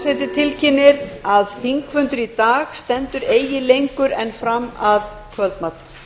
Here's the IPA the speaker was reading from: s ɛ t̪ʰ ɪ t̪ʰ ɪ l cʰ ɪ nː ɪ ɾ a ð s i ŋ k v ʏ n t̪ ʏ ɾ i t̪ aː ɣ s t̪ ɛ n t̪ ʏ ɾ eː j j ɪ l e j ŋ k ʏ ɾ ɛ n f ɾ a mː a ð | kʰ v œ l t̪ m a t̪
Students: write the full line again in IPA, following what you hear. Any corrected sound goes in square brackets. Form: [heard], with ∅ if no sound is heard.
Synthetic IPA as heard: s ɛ [t̪] ɪ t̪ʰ ɪ l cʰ ɪ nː ɪ ɾ a ð [θ] i ŋ k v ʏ n t̪ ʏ ɾ i t̪ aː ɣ s t̪ ɛ n t̪ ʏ ɾ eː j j ɪ l e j ŋ k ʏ ɾ ɛ n f ɾ a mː a ð | kʰ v œ l t̪ m a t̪